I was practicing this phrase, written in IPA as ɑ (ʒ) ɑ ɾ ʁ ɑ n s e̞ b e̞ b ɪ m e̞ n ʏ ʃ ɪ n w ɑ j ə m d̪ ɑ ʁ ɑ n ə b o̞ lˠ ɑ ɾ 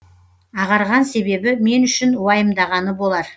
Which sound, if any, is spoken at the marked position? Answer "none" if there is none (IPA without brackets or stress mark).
ʁ